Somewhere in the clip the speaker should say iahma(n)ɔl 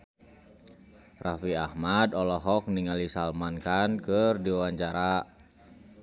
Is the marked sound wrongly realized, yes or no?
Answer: yes